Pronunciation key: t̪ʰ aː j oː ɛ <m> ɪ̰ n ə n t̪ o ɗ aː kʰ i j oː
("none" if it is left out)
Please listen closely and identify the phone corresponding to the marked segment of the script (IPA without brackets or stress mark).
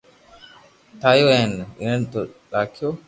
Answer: n